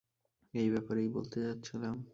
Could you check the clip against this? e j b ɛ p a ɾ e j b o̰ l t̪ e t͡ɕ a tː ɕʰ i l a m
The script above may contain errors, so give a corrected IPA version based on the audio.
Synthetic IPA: e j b ɛ p a ɾ e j b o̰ l t̪ e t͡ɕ a tː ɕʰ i l a m